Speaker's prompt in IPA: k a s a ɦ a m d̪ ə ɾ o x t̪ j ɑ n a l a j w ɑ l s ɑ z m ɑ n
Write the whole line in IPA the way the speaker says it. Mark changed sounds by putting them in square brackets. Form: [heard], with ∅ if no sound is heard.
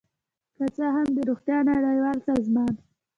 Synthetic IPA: k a [t͡s] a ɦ a m d̪ ə ɾ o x t̪ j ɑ n a [ɽ] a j w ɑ l s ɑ z m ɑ n